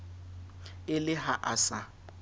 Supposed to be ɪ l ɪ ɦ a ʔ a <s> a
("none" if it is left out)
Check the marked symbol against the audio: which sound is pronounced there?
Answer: s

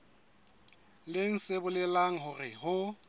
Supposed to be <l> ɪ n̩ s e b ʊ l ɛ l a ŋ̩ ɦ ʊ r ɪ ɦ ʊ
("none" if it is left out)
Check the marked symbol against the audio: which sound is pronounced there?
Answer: l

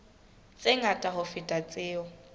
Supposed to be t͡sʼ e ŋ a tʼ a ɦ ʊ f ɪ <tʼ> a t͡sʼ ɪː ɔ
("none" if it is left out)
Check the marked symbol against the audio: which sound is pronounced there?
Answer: tʼ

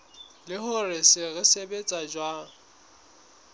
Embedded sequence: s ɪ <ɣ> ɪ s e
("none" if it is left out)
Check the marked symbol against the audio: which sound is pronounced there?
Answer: ɣ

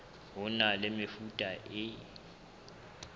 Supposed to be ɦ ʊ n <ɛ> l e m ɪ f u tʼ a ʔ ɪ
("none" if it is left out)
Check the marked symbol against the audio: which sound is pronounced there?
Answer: a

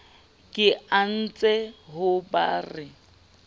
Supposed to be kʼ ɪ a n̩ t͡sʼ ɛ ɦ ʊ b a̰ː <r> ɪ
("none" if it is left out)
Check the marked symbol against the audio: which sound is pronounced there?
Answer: r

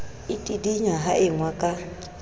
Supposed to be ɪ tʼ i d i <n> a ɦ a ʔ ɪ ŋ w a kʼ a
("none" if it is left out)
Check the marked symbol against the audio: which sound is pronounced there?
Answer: ɲ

